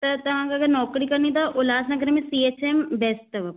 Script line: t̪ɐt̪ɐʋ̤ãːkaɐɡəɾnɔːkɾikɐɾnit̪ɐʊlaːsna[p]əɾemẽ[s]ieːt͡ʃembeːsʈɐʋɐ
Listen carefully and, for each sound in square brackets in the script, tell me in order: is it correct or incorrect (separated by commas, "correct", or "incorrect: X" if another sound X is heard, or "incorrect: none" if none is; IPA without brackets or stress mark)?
incorrect: k, correct